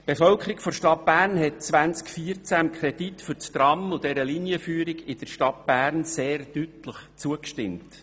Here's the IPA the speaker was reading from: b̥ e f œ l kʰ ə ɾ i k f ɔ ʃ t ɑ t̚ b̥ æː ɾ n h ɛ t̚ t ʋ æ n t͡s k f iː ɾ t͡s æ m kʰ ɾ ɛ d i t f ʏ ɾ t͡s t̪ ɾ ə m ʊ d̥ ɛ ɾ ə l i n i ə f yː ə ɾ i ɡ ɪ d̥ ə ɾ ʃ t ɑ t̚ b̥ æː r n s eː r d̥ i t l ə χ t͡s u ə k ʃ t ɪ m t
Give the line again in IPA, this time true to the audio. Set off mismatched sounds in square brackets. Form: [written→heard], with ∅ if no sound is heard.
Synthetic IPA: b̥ e f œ l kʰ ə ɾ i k f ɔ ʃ t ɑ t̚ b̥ æː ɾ n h ɛ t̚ [t→t͡s] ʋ æ n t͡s k f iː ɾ t͡s æ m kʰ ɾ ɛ d i t f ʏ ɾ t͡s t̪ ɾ [ə→ɑ] m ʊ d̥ ɛ ɾ ə l i n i ə f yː ə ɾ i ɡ ɪ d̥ ə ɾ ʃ t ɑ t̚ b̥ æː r n s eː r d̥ [i→y] t l ə χ t͡s u ə k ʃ t ɪ m t